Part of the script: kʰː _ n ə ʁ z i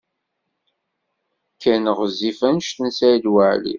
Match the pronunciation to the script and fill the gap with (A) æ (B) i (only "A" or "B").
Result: A